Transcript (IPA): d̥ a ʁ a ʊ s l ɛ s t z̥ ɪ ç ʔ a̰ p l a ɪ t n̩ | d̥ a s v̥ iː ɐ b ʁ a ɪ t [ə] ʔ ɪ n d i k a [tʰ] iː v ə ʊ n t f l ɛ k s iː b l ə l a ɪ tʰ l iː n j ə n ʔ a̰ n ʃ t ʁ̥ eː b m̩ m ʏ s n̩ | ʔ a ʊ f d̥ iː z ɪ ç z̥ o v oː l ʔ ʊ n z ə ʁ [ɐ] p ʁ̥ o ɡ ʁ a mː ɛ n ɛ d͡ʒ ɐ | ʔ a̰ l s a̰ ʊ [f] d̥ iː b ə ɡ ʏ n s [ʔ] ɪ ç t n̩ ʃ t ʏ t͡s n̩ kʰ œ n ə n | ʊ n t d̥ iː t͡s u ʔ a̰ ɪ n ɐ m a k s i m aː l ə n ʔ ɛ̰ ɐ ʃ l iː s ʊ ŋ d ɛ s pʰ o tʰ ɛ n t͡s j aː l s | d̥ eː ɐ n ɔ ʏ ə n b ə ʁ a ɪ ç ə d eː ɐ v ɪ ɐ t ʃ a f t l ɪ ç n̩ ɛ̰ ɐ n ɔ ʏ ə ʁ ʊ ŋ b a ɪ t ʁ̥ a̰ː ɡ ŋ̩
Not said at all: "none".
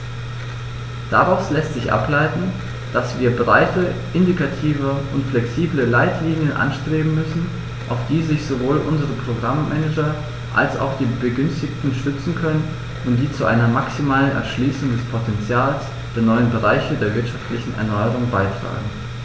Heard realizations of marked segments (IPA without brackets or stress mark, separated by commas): ə, tʰ, ə, x, t